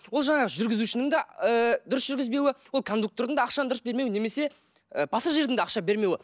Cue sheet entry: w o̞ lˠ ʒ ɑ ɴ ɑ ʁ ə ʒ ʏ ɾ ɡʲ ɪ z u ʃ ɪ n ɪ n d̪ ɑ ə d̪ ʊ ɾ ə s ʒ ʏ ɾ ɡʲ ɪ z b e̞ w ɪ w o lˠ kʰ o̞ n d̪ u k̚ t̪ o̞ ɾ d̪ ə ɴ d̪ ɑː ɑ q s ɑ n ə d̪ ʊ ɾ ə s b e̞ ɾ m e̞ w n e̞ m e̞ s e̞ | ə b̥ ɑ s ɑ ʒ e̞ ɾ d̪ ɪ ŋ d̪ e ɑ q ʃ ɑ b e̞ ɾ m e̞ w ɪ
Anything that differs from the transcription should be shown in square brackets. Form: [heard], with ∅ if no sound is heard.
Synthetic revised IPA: w o̞ lˠ ʒ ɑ ɴ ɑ ʁ ə ʒ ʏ ɾ ɡʲ ɪ z u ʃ ɪ n ɪ [ŋ] d̪ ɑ ə d̪ ʊ ɾ ə s ʒ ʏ ɾ ɡʲ ɪ z b e̞ w ɪ w o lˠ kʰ o̞ n d̪ u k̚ t̪ o̞ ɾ d̪ ə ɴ d̪ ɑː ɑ q [ʃ] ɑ n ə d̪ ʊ ɾ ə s b e̞ ɾ m e̞ w n e̞ m e̞ s e̞ | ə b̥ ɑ s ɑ ʒ e̞ ɾ d̪ ɪ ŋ d̪ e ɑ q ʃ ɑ b e̞ ɾ m e̞ w ɪ